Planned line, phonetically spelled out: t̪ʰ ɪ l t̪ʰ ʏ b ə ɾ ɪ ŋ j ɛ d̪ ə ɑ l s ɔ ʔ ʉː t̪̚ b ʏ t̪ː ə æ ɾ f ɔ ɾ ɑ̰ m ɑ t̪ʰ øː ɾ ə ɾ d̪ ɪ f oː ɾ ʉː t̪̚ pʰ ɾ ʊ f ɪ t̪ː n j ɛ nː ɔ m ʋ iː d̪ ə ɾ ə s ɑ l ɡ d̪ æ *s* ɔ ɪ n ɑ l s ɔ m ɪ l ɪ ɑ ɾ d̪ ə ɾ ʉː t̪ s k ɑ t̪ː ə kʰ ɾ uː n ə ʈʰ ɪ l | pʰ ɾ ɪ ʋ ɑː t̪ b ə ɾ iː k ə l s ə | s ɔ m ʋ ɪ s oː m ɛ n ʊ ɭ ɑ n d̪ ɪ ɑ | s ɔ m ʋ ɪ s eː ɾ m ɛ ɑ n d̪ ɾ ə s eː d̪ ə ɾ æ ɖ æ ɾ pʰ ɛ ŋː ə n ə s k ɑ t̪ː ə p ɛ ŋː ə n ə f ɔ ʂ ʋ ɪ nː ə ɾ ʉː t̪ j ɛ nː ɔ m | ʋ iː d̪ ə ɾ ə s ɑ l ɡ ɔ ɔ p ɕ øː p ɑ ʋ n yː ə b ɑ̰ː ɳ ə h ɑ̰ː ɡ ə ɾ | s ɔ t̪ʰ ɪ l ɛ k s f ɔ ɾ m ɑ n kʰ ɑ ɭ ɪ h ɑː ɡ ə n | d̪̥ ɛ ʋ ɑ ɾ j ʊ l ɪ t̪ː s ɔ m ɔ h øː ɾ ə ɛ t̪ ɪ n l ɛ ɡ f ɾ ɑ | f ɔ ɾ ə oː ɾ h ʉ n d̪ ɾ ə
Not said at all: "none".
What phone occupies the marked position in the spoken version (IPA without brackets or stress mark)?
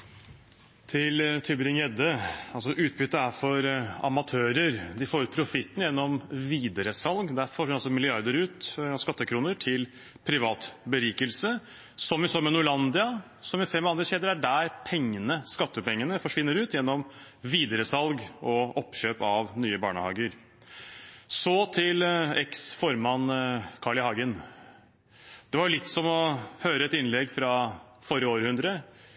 f